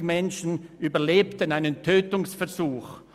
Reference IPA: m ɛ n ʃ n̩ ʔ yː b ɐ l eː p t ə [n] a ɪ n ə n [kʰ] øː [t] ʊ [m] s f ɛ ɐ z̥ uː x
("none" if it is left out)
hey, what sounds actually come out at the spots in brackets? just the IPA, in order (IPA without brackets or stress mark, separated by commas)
n, tʰ, t, ŋ